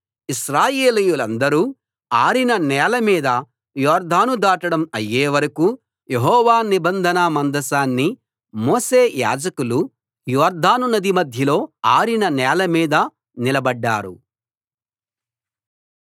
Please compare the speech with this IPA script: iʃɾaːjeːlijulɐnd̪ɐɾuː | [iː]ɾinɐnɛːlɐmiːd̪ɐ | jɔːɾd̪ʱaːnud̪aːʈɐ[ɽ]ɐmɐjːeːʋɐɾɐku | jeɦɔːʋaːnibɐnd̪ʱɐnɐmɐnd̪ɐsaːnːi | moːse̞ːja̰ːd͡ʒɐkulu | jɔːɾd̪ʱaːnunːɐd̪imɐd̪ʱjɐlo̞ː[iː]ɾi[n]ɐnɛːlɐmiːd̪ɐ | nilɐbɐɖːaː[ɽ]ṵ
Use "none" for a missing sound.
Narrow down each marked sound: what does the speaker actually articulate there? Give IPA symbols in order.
aː, ɽ, aː, n, ɾ

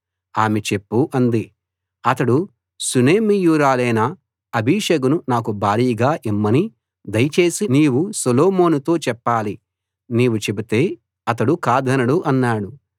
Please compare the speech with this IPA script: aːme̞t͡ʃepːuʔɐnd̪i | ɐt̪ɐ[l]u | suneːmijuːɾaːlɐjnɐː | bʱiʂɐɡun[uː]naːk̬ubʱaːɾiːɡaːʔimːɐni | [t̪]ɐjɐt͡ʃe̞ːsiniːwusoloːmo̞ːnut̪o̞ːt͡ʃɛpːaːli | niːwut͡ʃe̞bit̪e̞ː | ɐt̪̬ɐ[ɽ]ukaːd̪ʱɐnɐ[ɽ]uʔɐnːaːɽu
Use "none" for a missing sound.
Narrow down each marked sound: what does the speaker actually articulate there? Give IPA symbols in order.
ɽ, u, d̪, ɽ, ɽ

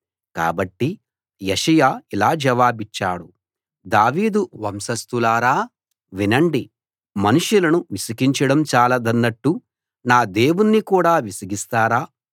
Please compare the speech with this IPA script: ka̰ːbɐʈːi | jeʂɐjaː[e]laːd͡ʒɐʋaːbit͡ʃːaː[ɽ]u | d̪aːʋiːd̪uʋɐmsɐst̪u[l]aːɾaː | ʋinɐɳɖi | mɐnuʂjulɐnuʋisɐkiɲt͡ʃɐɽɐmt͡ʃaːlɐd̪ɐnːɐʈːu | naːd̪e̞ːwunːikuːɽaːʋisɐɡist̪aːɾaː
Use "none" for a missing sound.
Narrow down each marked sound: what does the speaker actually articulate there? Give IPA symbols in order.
i, ɽ, l

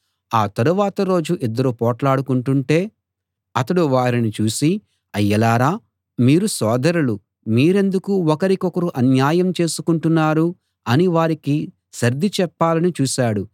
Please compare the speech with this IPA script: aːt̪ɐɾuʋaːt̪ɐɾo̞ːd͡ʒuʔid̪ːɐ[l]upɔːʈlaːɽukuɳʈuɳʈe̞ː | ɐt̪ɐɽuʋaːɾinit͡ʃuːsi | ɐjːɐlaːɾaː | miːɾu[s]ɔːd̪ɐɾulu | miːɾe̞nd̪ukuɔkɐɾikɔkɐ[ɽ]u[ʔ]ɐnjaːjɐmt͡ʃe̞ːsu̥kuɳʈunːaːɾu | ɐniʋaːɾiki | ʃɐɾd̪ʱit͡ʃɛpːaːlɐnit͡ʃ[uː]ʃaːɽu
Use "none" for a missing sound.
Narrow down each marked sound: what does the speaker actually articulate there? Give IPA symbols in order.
ɾ, s, ɾ, ʔ, uː

